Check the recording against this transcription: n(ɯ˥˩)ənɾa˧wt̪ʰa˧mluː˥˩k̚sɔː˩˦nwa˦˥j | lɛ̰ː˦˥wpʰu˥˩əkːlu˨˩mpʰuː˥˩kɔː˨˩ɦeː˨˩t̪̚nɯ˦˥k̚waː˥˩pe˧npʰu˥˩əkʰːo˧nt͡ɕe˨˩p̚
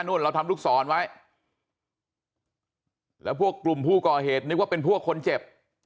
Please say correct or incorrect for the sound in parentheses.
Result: incorrect